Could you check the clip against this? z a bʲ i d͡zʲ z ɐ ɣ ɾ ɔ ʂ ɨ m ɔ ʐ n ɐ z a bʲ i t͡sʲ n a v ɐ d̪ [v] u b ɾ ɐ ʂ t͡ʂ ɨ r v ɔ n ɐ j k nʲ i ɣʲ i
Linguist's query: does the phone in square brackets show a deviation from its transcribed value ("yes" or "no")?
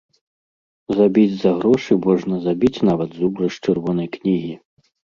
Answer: yes